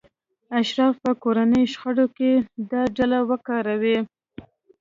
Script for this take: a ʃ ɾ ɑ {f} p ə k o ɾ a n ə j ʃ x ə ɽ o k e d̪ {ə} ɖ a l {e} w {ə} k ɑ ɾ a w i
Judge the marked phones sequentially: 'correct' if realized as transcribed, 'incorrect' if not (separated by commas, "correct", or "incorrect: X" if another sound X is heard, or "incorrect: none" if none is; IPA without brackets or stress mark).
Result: correct, incorrect: ɑ, incorrect: a, correct